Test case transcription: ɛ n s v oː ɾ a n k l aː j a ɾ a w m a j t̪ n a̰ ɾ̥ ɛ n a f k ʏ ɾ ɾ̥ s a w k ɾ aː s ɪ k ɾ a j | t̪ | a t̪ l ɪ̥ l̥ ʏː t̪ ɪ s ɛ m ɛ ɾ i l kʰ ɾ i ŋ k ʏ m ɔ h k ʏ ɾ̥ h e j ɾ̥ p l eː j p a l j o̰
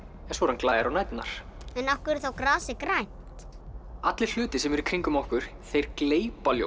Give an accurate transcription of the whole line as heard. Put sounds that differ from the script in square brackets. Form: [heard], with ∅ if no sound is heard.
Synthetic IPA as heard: ɛ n s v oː ɾ a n k l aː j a ɾ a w [n] a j t̪ n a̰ ɾ̥ ɛ n a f k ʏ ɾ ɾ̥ [θ] a w k ɾ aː s ɪ k ɾ a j | t̪ | a t̪ l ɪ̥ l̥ ʏː t̪ ɪ s ɛ m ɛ ɾ i [∅] kʰ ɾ i ŋ k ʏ m ɔ h k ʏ ɾ̥ [θ] e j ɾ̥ [k] l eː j p a l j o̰